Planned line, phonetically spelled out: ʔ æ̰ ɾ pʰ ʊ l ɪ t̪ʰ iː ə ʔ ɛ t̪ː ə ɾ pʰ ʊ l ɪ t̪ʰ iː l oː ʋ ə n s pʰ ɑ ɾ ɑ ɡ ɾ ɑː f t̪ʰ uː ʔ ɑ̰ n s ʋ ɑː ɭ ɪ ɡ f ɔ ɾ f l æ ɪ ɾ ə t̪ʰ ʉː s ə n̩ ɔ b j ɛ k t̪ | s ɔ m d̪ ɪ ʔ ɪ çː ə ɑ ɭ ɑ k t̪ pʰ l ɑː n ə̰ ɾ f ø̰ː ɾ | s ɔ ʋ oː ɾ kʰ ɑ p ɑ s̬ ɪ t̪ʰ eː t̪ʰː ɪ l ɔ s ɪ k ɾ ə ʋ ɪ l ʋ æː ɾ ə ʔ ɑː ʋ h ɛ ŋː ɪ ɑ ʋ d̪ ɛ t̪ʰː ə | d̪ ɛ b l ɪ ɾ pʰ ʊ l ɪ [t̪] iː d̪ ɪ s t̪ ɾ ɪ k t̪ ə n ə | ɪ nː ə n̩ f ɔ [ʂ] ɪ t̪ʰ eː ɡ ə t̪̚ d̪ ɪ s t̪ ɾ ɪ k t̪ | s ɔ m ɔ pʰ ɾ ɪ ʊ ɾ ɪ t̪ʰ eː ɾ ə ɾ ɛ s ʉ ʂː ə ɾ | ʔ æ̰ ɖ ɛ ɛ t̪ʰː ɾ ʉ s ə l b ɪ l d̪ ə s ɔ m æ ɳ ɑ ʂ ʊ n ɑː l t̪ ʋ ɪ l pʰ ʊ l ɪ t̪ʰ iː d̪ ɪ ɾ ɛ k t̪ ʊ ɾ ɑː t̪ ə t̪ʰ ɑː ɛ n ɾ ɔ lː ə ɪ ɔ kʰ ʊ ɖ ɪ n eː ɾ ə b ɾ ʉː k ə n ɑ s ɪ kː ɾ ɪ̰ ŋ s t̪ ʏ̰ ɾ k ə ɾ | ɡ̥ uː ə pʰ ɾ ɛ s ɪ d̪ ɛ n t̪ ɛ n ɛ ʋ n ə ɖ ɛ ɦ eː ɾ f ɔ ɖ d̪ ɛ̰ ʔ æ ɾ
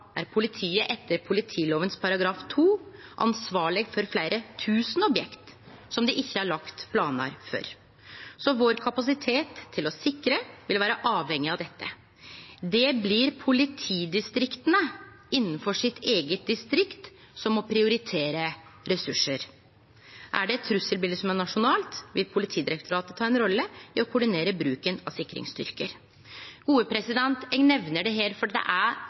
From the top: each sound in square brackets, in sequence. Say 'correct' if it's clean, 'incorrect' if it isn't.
incorrect, correct

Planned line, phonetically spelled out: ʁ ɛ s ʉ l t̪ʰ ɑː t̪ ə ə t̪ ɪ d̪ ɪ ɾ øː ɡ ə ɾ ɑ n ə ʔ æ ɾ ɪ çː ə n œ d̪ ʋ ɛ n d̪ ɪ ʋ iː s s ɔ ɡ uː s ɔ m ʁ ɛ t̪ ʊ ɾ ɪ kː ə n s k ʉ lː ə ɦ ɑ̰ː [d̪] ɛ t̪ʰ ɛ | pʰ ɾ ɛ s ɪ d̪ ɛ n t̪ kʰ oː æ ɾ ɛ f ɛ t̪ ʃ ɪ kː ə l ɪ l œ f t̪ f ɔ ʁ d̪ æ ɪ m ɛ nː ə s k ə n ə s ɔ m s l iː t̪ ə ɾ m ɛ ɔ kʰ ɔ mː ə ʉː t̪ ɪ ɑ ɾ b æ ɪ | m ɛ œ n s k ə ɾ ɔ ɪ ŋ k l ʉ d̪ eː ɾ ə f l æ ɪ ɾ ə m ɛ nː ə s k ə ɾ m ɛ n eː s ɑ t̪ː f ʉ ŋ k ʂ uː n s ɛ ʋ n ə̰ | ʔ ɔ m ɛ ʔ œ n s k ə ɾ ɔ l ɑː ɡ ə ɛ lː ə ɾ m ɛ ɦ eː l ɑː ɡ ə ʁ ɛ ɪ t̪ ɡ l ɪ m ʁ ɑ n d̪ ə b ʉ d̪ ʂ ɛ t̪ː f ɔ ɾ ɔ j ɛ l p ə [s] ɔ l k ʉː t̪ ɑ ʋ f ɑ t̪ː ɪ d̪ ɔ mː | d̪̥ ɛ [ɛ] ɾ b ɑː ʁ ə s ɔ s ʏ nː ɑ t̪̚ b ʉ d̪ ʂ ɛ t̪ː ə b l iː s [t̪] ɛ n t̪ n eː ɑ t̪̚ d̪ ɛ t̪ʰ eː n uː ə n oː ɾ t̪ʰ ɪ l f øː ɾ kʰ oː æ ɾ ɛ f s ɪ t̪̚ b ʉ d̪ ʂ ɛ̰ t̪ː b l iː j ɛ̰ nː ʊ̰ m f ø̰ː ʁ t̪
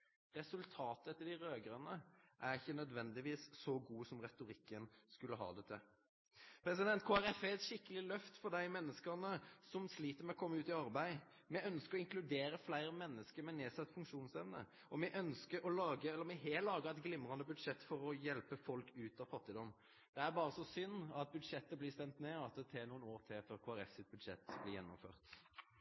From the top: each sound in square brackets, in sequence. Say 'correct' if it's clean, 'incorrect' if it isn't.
correct, incorrect, incorrect, correct

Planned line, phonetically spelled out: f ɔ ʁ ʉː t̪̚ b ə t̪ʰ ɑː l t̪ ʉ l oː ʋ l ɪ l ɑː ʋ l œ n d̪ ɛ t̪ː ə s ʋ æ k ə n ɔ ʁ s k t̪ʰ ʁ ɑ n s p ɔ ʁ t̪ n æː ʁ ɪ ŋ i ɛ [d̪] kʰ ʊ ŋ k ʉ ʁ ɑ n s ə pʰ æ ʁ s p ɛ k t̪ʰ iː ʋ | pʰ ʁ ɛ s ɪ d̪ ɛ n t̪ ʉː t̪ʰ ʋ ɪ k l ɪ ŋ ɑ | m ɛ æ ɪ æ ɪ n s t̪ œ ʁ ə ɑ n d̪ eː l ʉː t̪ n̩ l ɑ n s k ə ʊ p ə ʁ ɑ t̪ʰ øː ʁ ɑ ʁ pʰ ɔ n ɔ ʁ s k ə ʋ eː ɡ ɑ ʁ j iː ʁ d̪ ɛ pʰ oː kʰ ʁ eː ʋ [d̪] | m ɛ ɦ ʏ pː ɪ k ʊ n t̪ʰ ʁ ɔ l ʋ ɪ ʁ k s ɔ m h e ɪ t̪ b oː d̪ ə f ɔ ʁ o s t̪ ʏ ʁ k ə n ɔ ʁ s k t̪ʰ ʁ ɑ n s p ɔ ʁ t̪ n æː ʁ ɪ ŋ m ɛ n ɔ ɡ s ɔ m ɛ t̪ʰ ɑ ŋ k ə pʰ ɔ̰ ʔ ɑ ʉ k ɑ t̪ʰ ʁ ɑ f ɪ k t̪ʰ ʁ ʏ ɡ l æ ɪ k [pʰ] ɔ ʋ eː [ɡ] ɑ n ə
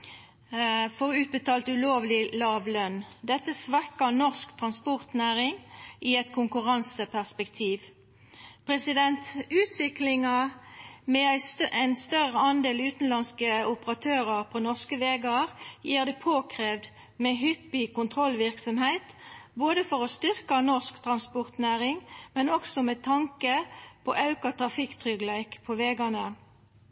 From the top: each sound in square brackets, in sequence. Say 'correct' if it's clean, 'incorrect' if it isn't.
incorrect, correct, correct, correct

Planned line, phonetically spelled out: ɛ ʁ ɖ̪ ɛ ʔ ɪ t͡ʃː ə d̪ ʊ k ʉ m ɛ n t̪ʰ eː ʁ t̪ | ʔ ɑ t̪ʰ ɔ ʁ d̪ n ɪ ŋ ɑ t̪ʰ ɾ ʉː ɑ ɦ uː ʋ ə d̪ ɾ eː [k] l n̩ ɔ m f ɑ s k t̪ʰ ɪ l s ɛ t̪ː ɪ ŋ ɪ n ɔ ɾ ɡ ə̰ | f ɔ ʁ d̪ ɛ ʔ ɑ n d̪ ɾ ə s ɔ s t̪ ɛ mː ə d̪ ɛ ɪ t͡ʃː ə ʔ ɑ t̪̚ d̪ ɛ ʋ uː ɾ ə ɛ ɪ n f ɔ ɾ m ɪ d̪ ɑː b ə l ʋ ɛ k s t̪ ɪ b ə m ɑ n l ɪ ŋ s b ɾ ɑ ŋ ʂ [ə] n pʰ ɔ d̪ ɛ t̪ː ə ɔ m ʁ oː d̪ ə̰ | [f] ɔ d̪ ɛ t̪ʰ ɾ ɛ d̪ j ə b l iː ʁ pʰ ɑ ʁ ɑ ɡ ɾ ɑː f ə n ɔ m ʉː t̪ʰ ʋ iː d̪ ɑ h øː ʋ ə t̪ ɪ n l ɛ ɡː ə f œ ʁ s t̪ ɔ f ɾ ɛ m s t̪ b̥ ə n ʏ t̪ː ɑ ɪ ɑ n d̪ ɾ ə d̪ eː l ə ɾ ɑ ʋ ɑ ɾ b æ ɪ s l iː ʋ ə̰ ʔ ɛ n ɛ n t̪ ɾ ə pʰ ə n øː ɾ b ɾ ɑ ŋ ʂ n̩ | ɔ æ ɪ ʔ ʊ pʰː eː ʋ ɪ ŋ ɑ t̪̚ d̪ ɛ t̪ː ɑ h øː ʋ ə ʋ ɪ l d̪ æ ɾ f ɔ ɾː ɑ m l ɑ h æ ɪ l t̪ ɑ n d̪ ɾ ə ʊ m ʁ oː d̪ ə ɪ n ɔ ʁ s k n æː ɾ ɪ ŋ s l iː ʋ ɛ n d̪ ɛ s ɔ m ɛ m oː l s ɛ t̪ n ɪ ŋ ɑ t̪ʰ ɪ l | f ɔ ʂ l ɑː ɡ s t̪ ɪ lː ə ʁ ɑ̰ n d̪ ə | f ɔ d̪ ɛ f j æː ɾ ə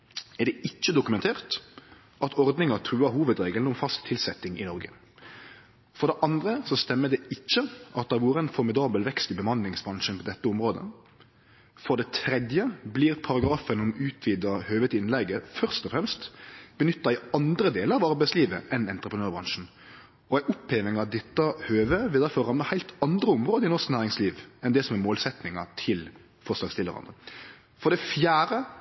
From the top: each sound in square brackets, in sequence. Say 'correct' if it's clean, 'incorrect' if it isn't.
incorrect, correct, correct

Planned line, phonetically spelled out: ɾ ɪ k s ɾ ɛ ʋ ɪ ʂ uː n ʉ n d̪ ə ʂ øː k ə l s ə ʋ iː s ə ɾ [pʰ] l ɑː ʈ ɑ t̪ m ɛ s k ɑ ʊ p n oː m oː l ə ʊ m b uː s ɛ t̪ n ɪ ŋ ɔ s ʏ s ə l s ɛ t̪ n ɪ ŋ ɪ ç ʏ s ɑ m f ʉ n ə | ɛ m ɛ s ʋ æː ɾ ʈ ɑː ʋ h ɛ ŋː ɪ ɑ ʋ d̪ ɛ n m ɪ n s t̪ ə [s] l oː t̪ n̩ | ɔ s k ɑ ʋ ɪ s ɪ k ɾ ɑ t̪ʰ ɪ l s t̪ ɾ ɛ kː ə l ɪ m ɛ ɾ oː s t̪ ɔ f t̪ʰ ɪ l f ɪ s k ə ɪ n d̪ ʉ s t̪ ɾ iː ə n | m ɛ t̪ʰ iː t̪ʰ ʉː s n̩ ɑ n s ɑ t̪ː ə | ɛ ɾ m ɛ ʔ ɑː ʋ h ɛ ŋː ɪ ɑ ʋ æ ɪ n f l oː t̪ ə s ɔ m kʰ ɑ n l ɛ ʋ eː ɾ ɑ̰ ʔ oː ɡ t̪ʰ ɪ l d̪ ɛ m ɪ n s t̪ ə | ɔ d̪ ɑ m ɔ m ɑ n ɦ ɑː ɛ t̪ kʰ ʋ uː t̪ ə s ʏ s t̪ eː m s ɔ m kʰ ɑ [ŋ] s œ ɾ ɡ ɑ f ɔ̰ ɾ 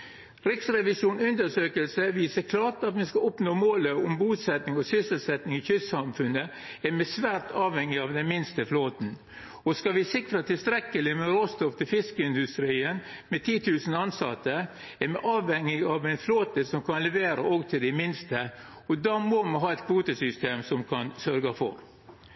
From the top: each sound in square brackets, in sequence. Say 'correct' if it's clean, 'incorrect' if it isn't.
incorrect, incorrect, incorrect

